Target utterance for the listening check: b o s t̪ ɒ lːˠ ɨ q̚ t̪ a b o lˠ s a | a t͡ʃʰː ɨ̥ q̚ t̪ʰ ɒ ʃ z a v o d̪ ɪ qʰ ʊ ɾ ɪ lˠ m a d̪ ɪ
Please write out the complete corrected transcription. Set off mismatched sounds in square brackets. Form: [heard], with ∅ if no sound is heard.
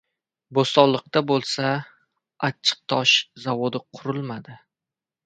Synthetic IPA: b o s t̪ ɒ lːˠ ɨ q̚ t̪ a b o lˠ s a | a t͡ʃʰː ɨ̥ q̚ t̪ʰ ɒ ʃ z a v o d̪ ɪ qʰ ʊ ɾ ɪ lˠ m a d̪ ɪ